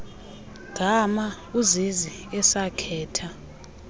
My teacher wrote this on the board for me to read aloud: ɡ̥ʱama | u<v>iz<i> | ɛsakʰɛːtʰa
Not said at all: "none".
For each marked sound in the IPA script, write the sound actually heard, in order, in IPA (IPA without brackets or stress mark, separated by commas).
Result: z, i